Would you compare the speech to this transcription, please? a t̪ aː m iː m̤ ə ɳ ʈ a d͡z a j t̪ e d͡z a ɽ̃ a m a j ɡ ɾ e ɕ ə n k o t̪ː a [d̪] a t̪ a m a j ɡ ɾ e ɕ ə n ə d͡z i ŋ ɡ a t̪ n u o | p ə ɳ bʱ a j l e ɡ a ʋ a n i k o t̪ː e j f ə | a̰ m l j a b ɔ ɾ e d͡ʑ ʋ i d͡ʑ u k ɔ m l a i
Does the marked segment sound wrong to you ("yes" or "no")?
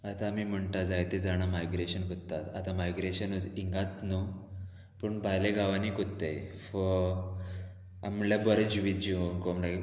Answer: yes